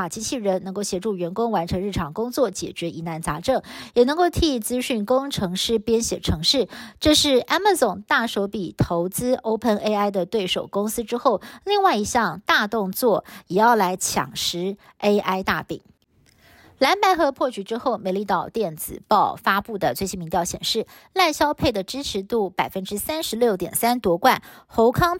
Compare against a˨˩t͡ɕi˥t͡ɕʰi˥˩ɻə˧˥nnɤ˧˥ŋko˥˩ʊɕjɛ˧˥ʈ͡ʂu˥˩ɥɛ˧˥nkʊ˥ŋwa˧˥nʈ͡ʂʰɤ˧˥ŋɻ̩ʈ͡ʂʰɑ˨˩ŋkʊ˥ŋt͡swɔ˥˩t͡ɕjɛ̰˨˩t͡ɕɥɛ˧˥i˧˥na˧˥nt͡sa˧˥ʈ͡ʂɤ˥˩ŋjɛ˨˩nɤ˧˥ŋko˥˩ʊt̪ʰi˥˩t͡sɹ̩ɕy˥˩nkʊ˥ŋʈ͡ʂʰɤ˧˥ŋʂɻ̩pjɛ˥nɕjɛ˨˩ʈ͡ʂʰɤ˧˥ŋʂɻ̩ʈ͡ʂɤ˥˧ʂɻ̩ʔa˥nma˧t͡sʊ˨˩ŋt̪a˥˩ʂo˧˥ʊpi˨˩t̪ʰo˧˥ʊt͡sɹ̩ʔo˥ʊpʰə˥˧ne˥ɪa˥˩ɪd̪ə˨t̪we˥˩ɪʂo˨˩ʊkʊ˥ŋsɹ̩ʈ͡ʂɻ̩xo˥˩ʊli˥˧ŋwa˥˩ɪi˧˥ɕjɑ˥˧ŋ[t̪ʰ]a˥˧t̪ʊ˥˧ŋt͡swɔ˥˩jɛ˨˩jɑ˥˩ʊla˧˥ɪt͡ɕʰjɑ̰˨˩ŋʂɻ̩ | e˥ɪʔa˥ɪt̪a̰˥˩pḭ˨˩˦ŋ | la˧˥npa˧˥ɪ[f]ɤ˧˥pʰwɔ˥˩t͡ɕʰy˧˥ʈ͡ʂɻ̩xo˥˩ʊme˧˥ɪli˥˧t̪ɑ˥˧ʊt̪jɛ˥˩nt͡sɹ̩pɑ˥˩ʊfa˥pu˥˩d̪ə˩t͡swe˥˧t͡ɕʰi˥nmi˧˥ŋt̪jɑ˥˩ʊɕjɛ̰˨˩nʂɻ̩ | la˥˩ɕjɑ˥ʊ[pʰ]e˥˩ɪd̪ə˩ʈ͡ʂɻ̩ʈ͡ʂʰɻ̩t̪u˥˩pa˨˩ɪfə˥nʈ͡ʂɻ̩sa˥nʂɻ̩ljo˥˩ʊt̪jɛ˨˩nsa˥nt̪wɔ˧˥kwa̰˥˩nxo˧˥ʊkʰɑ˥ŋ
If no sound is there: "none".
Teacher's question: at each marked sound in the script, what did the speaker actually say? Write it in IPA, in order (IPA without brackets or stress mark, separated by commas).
t̪, x, pʰ